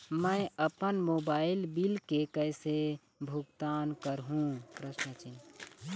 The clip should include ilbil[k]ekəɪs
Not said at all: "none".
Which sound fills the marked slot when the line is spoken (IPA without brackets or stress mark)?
k